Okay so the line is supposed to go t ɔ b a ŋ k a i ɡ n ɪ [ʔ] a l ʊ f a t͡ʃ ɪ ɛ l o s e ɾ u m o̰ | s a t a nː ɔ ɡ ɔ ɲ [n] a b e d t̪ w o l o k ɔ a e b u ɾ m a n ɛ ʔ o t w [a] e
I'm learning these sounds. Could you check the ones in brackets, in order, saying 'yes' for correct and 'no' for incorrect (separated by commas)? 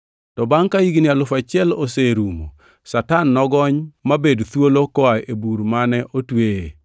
no, no, no